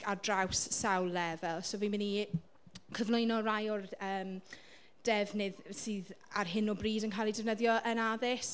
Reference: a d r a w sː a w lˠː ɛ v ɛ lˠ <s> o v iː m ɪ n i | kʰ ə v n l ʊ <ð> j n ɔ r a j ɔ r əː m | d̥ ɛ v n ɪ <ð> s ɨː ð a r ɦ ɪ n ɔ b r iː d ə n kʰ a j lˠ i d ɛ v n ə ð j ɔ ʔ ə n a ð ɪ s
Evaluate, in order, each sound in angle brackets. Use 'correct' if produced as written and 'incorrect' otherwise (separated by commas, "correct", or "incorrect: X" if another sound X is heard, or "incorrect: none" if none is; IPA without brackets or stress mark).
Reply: correct, incorrect: none, correct